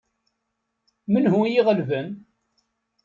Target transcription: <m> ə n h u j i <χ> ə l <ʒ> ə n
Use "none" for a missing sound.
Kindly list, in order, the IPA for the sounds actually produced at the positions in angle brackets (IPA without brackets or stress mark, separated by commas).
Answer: m, ʁ, v